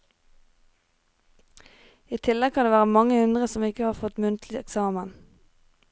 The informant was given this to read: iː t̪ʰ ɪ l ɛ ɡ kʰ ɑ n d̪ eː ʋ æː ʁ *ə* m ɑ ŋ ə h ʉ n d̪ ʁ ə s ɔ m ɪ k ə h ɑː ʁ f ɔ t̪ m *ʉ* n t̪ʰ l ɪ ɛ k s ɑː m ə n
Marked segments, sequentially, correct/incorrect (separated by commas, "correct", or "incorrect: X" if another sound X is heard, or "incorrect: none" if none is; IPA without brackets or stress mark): correct, correct